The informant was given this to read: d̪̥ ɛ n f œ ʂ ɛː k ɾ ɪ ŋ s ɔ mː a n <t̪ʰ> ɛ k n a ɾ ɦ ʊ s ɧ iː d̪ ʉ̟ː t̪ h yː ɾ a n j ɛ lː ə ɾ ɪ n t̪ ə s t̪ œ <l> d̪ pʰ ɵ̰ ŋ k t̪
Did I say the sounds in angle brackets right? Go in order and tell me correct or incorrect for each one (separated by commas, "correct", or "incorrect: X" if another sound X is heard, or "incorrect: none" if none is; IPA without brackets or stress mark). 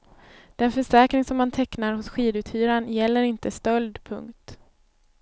correct, correct